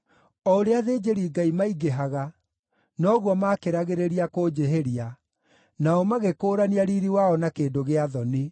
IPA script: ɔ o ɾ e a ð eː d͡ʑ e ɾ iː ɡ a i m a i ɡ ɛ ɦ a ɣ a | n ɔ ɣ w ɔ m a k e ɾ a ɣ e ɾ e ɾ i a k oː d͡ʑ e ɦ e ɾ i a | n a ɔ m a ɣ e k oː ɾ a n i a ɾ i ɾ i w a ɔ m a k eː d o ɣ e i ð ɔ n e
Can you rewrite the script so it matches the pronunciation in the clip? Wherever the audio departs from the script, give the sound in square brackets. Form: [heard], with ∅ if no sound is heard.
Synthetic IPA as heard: ɔ o ɾ e a ð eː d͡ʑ e ɾ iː ɡ a i m a i ɡ [e] ɦ a ɣ a | n ɔ ɣ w ɔ m a k e ɾ a ɣ e ɾ e ɾ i a k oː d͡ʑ e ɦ e ɾ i a | n a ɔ m a ɣ e k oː ɾ a n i a ɾ i ɾ i w a ɔ [n] a k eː d o ɣ e [a] ð ɔ n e